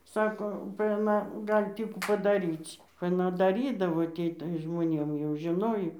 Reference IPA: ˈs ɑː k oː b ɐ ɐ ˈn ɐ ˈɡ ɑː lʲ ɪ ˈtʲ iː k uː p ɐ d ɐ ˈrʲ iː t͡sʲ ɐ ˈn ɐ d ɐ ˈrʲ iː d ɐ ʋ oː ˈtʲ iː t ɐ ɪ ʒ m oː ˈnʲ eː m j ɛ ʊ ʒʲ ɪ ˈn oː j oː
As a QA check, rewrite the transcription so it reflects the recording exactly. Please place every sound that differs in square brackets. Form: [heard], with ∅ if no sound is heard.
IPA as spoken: ˈs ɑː k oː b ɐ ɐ ˈn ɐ ˈɡ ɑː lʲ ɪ ˈtʲ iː k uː p ɐ d ɐ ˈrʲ iː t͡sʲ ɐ ˈn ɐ d ɐ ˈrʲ iː d ɐ ʋ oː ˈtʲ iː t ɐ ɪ ʒ m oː ˈnʲ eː m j ɛ ʊ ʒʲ ɪ ˈn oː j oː